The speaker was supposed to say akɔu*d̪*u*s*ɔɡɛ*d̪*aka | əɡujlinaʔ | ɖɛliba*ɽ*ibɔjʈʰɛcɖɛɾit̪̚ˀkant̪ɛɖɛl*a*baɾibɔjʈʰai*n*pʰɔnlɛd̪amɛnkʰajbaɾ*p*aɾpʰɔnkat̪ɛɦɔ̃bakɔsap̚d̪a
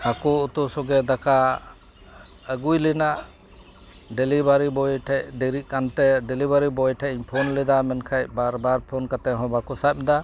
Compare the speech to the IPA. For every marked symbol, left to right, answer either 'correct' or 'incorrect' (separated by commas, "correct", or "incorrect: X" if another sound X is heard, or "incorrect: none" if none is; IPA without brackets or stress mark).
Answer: incorrect: t̪, correct, correct, incorrect: ɾ, incorrect: i, incorrect: ɲ, incorrect: b